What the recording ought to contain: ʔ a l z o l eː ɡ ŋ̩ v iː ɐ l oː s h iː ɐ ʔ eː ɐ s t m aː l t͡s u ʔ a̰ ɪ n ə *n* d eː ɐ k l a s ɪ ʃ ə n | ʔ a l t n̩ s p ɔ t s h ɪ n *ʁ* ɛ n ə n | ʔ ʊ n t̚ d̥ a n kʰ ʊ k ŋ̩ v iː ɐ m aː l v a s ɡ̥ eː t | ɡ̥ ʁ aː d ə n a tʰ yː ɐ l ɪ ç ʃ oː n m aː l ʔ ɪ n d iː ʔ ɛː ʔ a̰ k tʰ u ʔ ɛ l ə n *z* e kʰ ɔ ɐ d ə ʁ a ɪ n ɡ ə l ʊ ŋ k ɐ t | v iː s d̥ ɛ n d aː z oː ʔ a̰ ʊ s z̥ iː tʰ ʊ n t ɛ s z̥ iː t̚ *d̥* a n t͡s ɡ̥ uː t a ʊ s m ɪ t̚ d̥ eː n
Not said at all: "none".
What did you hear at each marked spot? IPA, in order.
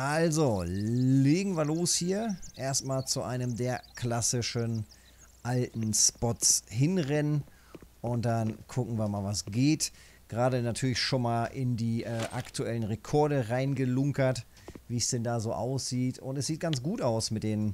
m, ʁ, ʁ, ɡ̥

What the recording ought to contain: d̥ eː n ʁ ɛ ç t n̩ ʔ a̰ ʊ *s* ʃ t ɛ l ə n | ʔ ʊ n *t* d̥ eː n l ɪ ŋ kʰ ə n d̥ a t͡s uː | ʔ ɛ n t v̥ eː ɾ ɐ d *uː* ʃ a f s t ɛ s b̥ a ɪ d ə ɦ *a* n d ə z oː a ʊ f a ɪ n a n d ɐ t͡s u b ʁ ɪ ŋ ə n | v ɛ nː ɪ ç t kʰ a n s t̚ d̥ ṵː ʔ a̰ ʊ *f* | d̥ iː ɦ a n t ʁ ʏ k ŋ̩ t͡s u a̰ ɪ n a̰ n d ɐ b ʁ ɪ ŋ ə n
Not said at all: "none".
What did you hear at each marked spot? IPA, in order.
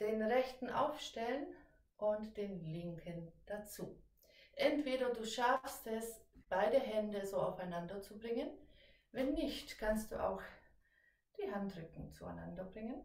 f, t, uː, ɛ, x

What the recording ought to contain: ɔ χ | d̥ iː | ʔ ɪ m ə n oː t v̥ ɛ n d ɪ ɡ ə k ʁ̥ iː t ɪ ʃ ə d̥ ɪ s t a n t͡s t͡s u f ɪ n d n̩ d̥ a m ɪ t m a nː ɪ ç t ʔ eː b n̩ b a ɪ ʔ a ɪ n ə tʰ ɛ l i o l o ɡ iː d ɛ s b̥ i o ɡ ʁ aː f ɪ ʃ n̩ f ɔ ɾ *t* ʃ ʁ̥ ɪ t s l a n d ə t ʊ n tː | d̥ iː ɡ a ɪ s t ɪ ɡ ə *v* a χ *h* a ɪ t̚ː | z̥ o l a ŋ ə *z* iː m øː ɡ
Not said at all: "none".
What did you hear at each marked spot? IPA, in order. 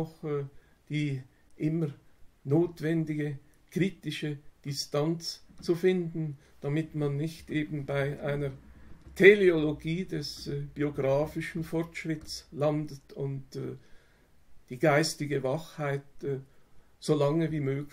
t, v, h, v

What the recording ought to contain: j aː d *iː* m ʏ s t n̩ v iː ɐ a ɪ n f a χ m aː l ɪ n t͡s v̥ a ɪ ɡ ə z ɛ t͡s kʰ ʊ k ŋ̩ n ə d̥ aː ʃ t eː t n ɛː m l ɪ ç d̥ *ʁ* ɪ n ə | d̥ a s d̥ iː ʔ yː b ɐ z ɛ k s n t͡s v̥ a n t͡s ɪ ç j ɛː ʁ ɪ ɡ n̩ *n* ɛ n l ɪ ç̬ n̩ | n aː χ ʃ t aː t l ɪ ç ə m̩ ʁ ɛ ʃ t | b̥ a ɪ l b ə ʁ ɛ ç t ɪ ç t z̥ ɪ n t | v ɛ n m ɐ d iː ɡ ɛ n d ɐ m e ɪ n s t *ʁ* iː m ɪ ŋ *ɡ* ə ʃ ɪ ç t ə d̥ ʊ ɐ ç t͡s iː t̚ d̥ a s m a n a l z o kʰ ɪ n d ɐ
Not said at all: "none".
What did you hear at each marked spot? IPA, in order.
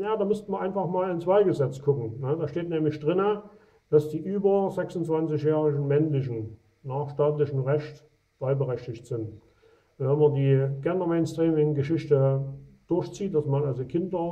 aː, ʁ, m, ʁ, ɡ

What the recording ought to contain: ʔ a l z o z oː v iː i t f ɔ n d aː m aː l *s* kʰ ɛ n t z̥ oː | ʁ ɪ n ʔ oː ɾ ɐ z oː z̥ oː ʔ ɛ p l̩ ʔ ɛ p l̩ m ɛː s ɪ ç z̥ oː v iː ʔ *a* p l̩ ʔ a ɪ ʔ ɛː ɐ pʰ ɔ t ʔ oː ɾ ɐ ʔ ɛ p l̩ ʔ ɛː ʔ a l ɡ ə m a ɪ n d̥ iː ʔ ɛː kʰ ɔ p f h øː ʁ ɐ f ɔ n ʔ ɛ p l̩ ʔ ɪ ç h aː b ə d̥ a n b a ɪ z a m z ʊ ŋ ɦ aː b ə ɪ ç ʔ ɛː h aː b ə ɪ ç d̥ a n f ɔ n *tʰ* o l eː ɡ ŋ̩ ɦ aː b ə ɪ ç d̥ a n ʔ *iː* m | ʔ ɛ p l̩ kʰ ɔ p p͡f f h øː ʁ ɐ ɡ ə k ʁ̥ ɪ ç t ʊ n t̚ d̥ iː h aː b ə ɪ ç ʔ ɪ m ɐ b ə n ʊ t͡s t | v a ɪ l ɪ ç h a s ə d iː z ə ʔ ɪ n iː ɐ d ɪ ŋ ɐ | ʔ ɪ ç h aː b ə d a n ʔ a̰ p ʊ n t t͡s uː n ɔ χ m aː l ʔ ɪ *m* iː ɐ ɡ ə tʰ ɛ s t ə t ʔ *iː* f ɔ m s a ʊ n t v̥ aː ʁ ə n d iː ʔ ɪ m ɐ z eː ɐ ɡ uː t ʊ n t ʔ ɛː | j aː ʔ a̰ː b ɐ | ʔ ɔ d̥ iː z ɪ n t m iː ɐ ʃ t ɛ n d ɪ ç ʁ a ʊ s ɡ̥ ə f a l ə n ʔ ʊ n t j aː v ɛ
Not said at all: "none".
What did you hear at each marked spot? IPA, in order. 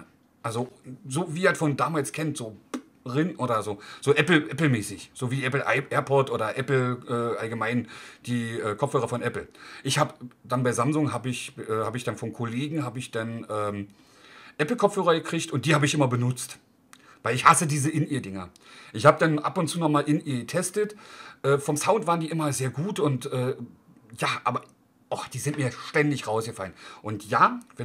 s, ɛ, kʰ, ɛː, n, ɛː

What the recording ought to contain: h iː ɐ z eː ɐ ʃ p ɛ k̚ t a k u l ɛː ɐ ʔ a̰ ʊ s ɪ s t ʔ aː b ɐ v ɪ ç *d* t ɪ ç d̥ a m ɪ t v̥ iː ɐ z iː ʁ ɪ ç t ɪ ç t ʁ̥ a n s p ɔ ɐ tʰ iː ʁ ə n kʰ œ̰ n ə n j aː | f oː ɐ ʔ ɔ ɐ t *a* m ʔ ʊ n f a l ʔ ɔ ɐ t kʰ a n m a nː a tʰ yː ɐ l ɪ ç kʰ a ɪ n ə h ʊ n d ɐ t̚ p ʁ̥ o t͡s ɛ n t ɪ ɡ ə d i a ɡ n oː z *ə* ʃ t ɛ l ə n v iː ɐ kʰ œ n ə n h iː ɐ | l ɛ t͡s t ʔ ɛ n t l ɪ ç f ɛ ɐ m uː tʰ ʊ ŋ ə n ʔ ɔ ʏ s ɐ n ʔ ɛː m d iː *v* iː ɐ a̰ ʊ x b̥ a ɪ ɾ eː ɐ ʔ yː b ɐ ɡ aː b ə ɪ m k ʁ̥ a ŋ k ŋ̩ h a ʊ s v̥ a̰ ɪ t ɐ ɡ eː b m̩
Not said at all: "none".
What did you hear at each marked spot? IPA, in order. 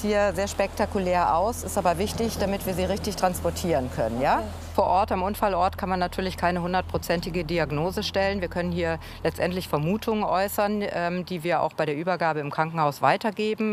d, a, ə, v

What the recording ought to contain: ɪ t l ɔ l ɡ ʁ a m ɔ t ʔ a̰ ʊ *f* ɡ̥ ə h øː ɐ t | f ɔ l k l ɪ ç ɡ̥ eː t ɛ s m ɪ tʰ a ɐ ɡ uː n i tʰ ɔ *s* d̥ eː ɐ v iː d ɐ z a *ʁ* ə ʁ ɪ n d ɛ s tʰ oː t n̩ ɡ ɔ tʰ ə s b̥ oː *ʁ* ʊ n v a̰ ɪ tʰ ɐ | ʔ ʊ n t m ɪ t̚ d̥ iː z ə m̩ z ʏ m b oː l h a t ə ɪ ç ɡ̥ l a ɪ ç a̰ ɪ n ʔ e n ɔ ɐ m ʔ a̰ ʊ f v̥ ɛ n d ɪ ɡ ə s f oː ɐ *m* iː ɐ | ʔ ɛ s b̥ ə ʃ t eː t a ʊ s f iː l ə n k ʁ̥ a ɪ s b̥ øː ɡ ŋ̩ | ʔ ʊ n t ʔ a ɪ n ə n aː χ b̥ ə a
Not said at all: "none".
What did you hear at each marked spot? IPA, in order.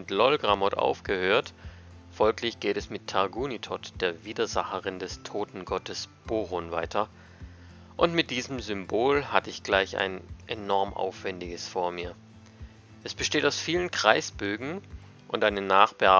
f, t, χ, ʁ, m

